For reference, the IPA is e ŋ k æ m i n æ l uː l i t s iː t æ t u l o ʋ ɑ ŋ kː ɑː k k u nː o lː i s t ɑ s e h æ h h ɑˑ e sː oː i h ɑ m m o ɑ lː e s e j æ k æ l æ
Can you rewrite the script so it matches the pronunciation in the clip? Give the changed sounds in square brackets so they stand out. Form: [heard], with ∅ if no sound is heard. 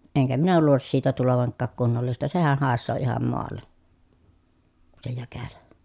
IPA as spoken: e ŋ k æ m i n æ l uː l i [s] s iː t æ t u l o ʋ ɑ ŋ kː ɑː k k u nː o lː i s t ɑ s e h æ h h ɑˑ e sː oː i h ɑ m m o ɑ lː e s e j æ k æ l æ